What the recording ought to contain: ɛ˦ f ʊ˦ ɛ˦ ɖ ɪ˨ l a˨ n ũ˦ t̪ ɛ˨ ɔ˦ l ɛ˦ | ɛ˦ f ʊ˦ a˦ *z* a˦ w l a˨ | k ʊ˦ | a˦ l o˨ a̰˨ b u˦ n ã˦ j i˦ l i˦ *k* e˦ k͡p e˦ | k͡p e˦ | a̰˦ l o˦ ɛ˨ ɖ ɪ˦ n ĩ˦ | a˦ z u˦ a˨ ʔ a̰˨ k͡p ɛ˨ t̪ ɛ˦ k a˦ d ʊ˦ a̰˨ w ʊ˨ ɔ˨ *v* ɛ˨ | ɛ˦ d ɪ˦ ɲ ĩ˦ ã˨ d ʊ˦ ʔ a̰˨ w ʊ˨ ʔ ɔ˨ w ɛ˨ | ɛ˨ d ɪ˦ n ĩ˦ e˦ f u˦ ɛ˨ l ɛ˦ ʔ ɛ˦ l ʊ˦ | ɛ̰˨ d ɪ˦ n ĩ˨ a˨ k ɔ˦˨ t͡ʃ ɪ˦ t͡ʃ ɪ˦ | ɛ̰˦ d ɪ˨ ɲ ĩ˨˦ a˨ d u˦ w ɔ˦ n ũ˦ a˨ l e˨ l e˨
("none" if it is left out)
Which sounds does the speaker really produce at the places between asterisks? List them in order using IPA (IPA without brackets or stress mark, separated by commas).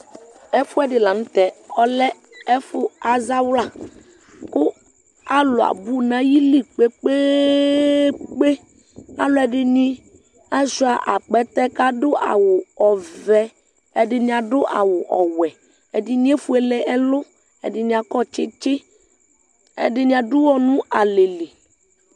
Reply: z, k͡p, v